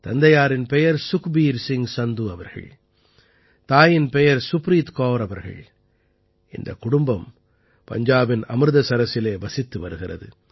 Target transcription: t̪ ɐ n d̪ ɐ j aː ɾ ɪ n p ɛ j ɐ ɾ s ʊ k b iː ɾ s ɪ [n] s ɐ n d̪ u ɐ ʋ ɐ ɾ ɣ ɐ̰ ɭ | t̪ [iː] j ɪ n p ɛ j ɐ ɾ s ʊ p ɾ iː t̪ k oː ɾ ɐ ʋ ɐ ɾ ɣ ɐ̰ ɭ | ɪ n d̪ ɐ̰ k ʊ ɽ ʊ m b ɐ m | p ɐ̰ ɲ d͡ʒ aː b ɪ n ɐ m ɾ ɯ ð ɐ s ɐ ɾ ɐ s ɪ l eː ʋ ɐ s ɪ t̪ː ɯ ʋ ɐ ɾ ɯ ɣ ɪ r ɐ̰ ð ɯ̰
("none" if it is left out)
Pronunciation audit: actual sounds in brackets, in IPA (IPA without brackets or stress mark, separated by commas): ŋ, aː